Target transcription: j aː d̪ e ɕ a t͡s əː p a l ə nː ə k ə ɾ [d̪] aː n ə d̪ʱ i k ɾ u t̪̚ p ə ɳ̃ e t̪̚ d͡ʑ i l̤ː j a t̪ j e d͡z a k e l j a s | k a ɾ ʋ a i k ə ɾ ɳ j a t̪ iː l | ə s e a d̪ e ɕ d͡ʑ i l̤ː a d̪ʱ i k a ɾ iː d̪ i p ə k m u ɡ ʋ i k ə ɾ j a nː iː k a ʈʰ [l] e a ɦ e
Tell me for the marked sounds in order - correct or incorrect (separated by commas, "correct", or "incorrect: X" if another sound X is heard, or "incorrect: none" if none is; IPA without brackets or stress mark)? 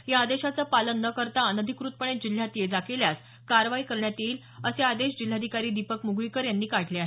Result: incorrect: t̪, correct